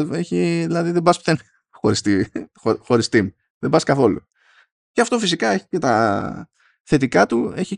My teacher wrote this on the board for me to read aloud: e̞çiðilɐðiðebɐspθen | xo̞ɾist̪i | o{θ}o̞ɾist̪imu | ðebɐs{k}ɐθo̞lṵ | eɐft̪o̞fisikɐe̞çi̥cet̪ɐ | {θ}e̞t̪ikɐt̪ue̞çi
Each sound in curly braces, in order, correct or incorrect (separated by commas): incorrect, correct, correct